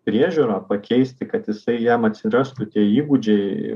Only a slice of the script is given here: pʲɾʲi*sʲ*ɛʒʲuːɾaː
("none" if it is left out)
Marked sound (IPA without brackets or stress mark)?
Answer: none